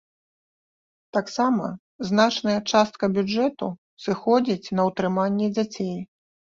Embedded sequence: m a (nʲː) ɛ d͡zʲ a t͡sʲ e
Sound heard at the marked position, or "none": nʲː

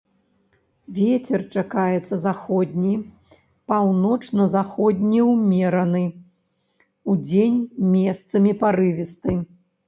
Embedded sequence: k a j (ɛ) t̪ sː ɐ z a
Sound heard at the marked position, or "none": ɛ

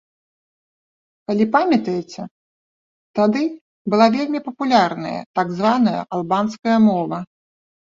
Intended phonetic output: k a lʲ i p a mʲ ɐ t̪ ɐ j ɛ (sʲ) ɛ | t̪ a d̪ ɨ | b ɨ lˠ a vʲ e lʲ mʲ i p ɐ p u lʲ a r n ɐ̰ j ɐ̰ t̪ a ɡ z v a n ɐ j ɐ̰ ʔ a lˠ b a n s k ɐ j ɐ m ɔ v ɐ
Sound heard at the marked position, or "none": t͡sʲ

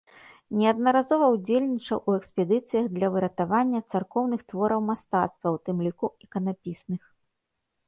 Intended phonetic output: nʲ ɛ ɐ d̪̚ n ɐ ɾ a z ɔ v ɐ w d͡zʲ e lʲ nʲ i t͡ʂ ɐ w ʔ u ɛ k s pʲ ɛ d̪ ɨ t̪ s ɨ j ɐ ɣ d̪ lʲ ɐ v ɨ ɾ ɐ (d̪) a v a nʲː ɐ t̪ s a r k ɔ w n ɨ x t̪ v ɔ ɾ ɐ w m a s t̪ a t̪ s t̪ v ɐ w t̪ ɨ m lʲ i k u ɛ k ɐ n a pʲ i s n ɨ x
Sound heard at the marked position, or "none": t̪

